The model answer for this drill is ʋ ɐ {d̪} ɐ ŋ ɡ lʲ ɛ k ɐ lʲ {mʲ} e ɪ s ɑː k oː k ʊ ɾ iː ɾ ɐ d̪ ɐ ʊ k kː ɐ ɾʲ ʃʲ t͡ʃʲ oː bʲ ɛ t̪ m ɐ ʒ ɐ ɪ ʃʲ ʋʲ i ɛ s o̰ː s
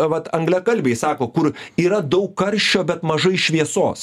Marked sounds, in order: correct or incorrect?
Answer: incorrect: t̪, incorrect: bʲ

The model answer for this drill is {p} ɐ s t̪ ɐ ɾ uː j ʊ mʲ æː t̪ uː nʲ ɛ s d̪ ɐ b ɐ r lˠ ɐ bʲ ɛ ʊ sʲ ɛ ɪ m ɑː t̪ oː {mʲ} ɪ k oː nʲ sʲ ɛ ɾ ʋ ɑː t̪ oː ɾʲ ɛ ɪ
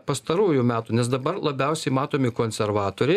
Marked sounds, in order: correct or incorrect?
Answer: correct, correct

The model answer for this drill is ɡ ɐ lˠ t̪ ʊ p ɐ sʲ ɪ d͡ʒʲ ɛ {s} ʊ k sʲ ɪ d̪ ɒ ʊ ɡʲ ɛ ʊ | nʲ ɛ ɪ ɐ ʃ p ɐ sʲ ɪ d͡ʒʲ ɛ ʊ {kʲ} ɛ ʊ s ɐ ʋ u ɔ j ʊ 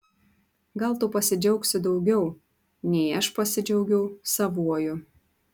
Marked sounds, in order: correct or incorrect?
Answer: incorrect: none, incorrect: ɡʲ

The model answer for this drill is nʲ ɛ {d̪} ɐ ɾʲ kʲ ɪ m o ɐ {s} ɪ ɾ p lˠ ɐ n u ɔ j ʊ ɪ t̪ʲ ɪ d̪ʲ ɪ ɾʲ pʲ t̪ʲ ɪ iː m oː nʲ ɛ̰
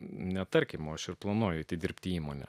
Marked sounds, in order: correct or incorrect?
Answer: incorrect: t̪, incorrect: ʃ

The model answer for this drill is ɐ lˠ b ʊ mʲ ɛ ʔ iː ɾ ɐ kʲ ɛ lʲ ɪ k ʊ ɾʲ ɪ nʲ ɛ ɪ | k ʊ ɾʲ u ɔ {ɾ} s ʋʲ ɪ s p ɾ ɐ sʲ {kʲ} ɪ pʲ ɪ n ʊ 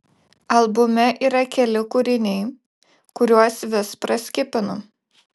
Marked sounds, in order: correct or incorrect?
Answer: incorrect: none, correct

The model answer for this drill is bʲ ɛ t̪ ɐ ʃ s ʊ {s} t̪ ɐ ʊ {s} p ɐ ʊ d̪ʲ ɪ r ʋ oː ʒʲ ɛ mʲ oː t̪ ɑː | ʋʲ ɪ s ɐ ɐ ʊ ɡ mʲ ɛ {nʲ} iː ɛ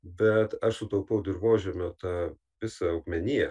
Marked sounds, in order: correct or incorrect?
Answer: incorrect: none, incorrect: none, correct

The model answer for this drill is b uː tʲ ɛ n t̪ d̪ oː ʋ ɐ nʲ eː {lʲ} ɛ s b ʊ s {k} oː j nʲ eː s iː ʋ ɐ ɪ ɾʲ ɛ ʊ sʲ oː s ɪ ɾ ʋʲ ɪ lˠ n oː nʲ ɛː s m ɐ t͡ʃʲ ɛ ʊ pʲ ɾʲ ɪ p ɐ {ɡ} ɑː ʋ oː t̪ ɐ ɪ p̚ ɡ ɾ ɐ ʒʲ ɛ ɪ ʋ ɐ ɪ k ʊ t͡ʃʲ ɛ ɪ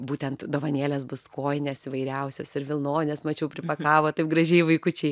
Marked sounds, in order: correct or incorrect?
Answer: correct, correct, incorrect: k

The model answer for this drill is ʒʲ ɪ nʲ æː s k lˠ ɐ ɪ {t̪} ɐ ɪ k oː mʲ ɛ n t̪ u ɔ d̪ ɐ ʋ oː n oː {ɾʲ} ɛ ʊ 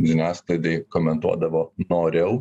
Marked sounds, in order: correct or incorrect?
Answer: incorrect: d̪, correct

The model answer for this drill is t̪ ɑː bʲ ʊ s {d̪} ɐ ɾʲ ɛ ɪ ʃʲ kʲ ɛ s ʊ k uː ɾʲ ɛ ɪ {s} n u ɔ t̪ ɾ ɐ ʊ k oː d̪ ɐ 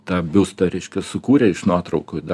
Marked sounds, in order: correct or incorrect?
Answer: incorrect: t̪, incorrect: ʃ

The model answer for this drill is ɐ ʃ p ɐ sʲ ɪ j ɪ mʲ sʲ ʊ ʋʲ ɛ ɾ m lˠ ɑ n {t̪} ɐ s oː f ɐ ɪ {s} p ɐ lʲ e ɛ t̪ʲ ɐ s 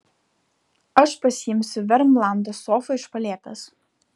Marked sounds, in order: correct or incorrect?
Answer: incorrect: d̪, incorrect: ʃ

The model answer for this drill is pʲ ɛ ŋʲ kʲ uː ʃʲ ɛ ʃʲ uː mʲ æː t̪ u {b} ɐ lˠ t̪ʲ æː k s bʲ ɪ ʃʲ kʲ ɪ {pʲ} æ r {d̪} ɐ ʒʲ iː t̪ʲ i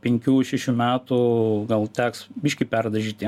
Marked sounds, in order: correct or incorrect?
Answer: incorrect: ɡ, correct, correct

